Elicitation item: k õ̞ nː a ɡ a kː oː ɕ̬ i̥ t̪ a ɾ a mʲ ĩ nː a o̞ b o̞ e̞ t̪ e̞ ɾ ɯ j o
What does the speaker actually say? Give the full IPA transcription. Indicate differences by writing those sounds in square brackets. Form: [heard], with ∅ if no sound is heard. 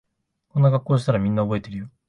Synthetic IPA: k [o̞] nː a ɡ a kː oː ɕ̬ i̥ t̪ a ɾ a mʲ ĩ nː a o̞ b o̞ e̞ t̪ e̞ ɾ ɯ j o

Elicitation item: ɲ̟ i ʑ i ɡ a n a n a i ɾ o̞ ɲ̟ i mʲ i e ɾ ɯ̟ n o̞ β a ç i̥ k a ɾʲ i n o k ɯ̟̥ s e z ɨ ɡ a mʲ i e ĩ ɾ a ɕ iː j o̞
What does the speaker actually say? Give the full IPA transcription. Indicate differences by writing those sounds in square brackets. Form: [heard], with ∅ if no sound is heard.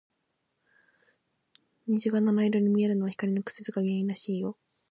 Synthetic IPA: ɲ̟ i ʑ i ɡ a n a n a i ɾ o̞ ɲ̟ i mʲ i e ɾ ɯ̟ n o̞ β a ç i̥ k a ɾʲ i n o k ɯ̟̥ s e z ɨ ɡ a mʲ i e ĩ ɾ a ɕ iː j o̞

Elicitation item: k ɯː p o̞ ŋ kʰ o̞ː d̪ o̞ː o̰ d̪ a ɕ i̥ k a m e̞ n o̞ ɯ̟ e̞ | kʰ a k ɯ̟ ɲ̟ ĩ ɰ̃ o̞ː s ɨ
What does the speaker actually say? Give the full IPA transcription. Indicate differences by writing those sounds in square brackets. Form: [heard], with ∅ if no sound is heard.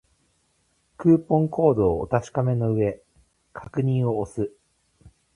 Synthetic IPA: k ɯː p [õ̞] ŋ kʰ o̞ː d̪ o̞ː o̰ [t̪] a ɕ i̥ k a m e̞ n o̞ ɯ̟ e̞ | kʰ a k ɯ̟ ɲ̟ ĩ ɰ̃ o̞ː s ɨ

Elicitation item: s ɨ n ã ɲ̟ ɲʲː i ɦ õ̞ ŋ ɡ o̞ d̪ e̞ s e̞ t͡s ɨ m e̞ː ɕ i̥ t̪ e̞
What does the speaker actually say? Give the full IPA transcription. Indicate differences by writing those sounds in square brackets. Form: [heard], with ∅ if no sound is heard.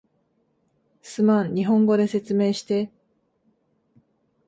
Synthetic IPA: s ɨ [m] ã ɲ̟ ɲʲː i ɦ õ̞ ŋ ɡ o̞ d̪ e̞ s e̞ t͡s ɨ m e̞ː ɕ i̥ t̪ e̞

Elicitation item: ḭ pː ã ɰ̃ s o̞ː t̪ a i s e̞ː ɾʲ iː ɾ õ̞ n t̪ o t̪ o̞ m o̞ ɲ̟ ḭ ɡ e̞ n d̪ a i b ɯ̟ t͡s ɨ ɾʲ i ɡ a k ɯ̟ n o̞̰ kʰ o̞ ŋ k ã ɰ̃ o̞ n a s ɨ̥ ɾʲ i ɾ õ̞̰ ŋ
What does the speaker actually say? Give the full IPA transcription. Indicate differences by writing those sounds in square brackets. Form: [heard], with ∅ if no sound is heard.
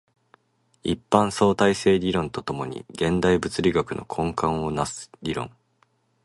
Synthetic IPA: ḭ pː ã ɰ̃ s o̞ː t̪ a i s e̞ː ɾʲ [i] ɾ õ̞ n t̪ o t̪ o̞ m o̞ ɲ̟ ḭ ɡ [ẽ̞] n d̪ a i b ɯ̟ t͡s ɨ ɾʲ i ɡ a k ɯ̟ n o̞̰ kʰ [õ̞] ŋ k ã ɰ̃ o̞ n a s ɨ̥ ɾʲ i ɾ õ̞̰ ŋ

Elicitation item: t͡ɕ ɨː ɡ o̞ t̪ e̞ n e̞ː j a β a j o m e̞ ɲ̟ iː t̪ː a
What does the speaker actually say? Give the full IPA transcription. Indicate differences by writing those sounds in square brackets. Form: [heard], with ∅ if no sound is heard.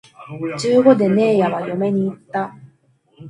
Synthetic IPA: t͡ɕ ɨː ɡ o̞ [d̪] e̞ n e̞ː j a β a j o m e̞ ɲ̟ iː t̪ː a

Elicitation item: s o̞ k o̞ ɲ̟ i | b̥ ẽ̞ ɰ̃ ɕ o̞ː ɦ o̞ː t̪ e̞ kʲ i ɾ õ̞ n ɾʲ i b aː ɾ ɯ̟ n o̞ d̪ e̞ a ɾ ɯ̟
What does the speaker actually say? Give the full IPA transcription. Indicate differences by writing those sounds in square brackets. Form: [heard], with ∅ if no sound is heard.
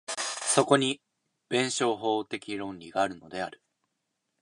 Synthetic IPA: s o̞ k o̞ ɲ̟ i | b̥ ẽ̞ ɰ̃ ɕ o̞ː ɦ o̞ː t̪ e̞ kʲ i ɾ õ̞ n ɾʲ i [ɡ] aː ɾ ɯ̟ n o̞ d̪ e̞ a ɾ ɯ̟

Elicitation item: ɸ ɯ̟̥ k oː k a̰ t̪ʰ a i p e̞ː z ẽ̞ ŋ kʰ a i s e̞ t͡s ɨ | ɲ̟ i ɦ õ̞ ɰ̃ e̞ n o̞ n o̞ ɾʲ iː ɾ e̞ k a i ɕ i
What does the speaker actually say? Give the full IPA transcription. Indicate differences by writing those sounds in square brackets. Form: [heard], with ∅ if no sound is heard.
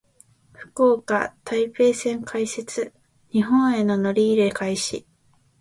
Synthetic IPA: ɸ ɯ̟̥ k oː k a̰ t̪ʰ a i p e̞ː [s] ẽ̞ ŋ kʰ a i s e̞ t͡s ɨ | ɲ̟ i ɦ õ̞ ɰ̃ e̞ n o̞ n o̞ ɾʲ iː ɾ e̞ k a i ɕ i

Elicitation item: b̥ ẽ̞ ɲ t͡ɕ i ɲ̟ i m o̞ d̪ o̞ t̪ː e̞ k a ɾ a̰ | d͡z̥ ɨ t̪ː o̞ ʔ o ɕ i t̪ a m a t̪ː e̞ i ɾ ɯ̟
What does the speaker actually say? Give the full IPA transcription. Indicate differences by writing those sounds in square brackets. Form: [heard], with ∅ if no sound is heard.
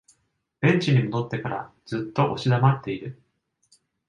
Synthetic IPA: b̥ ẽ̞ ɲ t͡ɕ i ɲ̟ i m o̞ d̪ o̞ t̪ː e̞ k a ɾ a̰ | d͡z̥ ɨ t̪ː o̞ ʔ o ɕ i [d̪] a m a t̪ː e̞ i ɾ ɯ̟

